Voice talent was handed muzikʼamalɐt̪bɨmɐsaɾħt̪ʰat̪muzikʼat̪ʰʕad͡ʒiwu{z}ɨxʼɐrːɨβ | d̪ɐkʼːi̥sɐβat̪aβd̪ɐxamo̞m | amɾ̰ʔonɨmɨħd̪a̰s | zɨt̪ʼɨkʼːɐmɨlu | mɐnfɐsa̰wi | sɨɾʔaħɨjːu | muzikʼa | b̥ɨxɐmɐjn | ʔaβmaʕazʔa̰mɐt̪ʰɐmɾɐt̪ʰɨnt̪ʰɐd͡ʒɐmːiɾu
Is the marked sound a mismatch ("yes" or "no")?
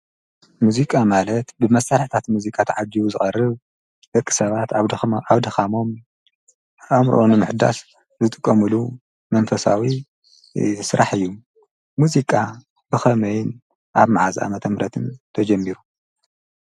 no